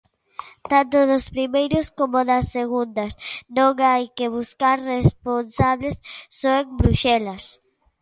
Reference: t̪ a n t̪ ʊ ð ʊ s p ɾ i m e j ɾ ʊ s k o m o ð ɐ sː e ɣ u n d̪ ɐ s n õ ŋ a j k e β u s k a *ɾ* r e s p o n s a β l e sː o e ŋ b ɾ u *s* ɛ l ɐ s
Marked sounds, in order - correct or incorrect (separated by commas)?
correct, incorrect